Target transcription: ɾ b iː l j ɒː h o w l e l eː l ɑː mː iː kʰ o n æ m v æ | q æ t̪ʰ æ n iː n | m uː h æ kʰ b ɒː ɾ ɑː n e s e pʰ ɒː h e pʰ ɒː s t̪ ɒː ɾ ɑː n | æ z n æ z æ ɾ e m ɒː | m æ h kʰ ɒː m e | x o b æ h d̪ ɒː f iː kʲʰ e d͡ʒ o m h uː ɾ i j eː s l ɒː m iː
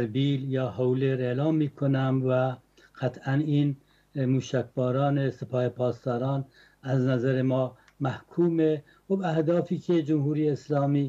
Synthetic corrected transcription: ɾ b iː l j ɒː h o w l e ɾ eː l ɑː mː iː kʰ o n æ m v æ | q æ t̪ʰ æ n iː n | m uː ʃ æ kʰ b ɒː ɾ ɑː n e s e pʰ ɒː h e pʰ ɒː s t̪ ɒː ɾ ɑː n | æ z n æ z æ ɾ e m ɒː | m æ h kʰ uː m e | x o b æ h d̪ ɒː f iː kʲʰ e d͡ʒ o m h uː ɾ i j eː s l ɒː m iː